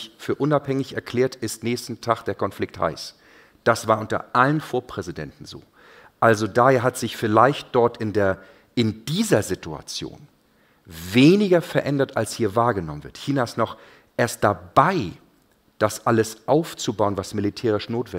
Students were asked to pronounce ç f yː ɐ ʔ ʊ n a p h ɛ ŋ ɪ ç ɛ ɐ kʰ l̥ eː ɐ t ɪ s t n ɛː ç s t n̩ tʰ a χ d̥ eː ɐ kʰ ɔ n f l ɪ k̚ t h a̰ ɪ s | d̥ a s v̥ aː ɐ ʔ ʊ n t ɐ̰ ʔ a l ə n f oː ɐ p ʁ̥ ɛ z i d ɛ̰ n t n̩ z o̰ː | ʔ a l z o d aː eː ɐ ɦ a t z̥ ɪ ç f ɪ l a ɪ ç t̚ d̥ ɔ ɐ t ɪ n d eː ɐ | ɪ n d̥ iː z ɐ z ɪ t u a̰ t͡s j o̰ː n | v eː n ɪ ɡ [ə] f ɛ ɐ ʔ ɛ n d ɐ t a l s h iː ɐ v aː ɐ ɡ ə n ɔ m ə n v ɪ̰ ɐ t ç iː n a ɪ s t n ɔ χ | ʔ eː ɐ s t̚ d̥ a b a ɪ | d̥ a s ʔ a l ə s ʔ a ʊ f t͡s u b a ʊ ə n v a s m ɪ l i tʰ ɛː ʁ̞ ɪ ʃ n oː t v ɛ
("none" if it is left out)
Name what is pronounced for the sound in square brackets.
ɐ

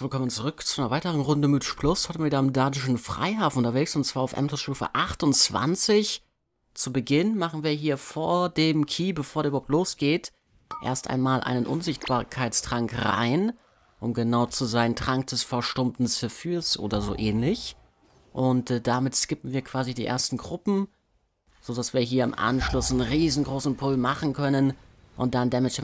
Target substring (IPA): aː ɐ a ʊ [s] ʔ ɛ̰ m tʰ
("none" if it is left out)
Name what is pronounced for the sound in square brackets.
f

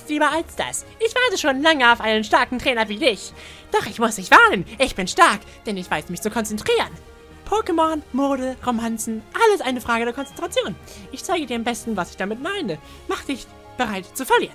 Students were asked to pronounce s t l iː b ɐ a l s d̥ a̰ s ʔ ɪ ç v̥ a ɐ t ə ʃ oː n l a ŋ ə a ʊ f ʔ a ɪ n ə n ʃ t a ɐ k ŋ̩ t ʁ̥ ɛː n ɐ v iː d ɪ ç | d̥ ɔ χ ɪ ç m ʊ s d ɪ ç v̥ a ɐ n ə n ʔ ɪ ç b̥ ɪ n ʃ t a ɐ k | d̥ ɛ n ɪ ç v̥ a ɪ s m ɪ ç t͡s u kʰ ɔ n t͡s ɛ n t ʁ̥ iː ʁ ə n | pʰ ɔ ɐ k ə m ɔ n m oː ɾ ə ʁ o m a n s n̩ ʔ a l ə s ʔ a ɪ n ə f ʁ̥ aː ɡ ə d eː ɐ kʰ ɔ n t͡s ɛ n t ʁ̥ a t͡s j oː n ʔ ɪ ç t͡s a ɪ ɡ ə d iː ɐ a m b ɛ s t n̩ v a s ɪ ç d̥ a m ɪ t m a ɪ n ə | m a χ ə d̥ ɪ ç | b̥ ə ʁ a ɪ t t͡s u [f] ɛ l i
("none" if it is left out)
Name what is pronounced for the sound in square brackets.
f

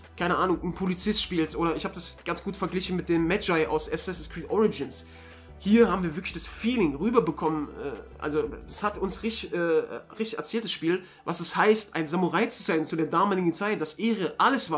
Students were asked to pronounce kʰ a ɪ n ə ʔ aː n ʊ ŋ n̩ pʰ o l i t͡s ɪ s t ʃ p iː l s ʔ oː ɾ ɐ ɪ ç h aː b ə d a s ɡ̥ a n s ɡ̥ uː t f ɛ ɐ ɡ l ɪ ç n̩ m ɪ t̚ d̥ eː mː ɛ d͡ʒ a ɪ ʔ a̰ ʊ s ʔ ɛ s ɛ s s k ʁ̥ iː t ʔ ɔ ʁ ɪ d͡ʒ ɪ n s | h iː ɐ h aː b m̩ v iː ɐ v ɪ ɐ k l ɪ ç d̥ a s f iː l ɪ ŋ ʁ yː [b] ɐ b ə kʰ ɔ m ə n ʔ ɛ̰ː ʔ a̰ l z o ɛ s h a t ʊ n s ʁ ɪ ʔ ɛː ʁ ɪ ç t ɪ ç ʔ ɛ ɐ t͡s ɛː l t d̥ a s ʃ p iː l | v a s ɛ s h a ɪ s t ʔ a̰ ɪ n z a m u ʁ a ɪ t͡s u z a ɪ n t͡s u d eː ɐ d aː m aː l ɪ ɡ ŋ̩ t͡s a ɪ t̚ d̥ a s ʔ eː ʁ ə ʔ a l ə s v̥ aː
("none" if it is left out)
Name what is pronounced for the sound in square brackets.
b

